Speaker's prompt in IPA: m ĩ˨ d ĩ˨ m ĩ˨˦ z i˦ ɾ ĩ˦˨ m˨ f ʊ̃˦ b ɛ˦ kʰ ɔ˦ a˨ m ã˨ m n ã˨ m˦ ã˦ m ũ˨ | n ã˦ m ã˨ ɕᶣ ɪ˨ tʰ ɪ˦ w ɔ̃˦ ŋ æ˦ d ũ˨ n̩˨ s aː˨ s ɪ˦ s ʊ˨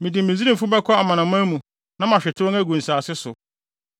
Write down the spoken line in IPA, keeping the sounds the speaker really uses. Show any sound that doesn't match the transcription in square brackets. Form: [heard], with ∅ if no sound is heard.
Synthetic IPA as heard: m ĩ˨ d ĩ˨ m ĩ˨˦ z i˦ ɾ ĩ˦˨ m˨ f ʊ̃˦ b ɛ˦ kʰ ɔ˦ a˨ m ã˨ [∅] n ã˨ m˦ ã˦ m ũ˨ | n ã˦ m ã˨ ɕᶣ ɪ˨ tʰ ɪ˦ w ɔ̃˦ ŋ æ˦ [ɡ] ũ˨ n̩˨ s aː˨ s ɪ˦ s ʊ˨